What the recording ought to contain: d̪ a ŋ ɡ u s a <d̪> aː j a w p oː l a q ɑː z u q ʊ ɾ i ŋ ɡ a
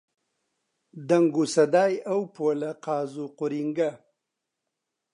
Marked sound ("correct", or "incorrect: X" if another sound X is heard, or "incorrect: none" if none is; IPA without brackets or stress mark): correct